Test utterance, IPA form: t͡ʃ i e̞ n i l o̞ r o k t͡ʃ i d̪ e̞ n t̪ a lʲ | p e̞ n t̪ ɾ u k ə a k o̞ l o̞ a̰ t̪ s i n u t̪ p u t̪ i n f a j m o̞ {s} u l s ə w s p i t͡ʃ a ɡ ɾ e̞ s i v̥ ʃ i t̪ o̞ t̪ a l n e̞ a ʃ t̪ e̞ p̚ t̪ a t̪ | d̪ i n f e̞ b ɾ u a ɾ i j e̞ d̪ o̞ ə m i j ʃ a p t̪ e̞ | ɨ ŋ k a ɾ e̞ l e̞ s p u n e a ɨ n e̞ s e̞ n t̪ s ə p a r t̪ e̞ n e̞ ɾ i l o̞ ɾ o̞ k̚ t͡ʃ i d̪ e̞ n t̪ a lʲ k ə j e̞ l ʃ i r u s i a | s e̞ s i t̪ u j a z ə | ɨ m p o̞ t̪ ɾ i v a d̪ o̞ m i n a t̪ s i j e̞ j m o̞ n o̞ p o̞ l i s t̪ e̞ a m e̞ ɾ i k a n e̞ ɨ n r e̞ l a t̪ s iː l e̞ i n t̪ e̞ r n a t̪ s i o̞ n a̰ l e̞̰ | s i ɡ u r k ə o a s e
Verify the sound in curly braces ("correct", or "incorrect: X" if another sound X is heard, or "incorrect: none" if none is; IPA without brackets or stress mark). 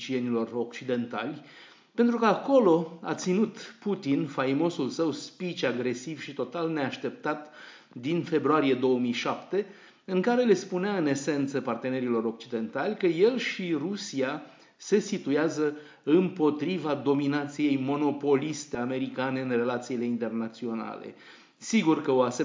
correct